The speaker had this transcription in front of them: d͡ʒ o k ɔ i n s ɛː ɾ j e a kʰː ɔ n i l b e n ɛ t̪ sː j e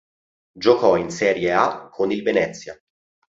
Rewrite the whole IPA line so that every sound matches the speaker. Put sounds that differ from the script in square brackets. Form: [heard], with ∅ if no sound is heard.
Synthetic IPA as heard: d͡ʒ o k ɔ i n s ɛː ɾ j e a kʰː [o] n i l [v] e n ɛ t̪ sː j [a]